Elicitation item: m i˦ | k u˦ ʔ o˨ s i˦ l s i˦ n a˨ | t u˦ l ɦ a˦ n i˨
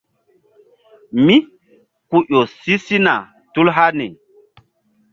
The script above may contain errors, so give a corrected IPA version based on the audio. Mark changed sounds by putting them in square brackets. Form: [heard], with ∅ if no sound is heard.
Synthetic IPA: m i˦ | k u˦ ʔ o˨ s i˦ [∅] s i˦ n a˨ | t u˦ l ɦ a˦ n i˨